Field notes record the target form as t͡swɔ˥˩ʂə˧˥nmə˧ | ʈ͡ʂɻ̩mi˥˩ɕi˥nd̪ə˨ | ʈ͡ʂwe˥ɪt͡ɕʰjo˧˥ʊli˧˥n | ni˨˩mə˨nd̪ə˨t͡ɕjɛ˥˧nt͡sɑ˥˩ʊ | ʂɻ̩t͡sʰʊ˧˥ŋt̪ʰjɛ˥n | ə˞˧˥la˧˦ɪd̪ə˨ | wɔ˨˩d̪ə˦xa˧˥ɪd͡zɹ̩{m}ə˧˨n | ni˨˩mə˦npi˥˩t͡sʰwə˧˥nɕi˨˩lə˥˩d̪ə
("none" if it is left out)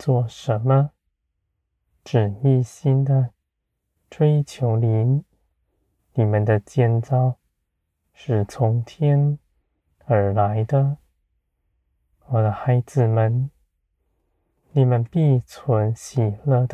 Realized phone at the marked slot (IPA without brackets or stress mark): m